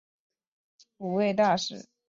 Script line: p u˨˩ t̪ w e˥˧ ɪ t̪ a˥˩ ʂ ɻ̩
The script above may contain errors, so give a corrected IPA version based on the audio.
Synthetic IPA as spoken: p u˨˩ w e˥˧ ɪ t̪ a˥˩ ʂ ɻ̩

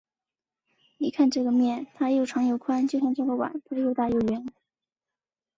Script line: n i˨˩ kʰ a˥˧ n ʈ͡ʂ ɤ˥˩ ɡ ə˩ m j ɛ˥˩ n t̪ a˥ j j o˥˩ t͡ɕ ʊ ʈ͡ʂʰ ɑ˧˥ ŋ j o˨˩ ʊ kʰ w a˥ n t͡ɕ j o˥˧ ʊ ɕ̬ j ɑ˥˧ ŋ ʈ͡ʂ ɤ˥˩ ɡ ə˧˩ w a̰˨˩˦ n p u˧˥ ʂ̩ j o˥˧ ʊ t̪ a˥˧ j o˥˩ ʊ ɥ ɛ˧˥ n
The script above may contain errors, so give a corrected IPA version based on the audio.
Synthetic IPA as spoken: n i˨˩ kʰ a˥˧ n ʈ͡ʂ ɤ˥˩ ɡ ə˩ m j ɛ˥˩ n t̪ʰ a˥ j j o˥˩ ʊ ʈ͡ʂʰ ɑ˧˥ ŋ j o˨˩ ʊ kʰ w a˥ n t͡ɕ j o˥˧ ʊ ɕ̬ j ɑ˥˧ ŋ ʈ͡ʂ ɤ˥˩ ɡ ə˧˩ w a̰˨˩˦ n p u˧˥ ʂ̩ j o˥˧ ʊ t̪ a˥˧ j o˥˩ ʊ ɥ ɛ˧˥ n

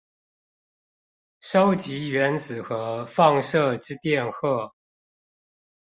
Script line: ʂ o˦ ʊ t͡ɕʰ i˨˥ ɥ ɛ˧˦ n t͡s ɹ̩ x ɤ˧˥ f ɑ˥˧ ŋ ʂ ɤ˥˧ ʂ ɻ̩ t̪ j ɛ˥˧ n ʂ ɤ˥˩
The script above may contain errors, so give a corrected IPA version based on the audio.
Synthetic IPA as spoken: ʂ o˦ ʊ t͡ɕ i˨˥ ɥ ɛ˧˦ n t͡s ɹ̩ x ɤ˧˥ f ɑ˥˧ ŋ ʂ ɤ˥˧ ʈ͡ʂ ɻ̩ t̪ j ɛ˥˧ n x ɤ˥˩

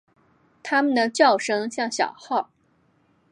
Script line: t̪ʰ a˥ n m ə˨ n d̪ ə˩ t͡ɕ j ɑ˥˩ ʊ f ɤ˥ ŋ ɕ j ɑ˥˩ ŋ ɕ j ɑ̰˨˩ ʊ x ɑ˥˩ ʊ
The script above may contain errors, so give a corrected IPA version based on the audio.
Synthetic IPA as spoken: t̪ʰ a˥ m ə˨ n d̪ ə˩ t͡ɕ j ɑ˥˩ ʊ ʂ ɤ˥ ŋ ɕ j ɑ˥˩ ŋ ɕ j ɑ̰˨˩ ʊ x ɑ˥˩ ʊ

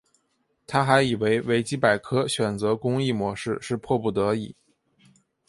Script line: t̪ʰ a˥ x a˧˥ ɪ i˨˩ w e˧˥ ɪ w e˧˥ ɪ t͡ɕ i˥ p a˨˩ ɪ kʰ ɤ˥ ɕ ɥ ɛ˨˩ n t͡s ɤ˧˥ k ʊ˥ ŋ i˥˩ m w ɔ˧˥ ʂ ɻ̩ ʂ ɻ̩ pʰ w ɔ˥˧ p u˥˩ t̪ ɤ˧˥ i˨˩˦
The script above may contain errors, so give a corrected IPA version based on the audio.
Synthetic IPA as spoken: t̪ʰ a˥ x a˧˥ ɪ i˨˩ w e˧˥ ɪ w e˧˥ ɪ t͡ɕ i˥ p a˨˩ ɪ kʰ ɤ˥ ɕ ɥ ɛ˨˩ n t͡s ɤ˧˥ k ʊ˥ ŋ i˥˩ m w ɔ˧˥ ʂ ɻ̩ ʂ ɻ̩ pʰ w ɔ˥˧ p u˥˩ t̪ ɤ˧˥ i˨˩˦

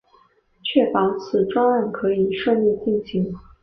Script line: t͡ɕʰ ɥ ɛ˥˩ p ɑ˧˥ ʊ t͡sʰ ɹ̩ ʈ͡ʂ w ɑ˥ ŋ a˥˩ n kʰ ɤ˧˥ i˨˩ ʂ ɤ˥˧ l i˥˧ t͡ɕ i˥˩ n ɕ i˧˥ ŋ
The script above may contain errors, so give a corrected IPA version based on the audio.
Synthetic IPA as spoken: t͡ɕʰ ɥ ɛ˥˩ p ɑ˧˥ ʊ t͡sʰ ɹ̩ ʈ͡ʂ w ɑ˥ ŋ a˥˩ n kʰ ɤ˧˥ i˨˩ ʂ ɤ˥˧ l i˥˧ t͡ɕ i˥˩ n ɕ i˧˥ ŋ

